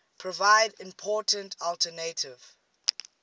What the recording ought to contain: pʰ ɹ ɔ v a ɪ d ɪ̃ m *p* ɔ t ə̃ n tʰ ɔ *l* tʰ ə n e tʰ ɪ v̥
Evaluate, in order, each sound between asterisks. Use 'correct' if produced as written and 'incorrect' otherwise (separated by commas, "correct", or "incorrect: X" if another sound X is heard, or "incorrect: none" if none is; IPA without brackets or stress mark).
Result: incorrect: pʰ, correct